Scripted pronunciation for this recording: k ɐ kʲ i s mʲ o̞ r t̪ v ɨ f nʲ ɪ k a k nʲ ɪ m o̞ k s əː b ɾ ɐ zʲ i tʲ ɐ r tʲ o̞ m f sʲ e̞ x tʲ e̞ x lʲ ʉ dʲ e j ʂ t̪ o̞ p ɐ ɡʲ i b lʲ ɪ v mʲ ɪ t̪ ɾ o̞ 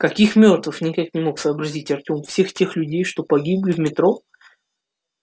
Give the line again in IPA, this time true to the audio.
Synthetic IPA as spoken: k ɐ kʲ i x mʲ o̞ r t̪ v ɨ f nʲ ɪ k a k nʲ ɪ m o̞ k s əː b ɾ ɐ zʲ i tʲ ɐ r tʲ o̞ m f sʲ e̞ x tʲ e̞ x lʲ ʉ dʲ e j ʂ t̪ o̞ p ɐ ɡʲ i b lʲ ɪ v mʲ ɪ t̪ ɾ o̞